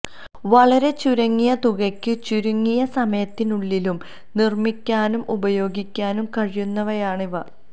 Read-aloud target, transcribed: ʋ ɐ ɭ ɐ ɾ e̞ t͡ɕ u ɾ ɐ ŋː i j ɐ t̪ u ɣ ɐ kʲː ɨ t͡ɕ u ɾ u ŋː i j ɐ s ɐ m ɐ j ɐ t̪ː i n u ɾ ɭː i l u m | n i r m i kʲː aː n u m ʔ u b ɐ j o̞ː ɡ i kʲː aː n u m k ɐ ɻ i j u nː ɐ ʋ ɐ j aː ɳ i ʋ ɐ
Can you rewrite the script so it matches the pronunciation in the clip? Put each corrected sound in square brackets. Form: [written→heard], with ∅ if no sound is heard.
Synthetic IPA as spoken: ʋ ɐ ɭ ɐ ɾ e̞ t͡ɕ u ɾ ɐ ŋː i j ɐ t̪ u ɣ ɐ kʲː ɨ t͡ɕ u ɾ u ŋː i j ɐ s ɐ m ɐ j ɐ t̪ː i n u [ɾ→∅] ɭː i l u m | n i r m i kʲː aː n u m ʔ u b ɐ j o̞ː ɡ i kʲː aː n u m k ɐ ɻ i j u nː ɐ ʋ ɐ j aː ɳ i ʋ ɐ